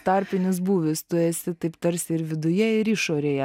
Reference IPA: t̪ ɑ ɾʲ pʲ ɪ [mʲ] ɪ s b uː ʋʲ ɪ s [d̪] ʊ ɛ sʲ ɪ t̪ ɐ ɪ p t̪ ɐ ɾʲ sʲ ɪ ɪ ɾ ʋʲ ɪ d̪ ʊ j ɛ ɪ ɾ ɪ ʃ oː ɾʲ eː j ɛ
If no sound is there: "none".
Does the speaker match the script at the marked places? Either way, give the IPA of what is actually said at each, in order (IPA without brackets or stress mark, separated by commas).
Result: nʲ, t̪